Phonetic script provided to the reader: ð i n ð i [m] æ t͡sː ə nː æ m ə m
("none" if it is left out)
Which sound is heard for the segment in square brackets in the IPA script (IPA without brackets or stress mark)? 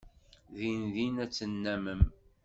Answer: n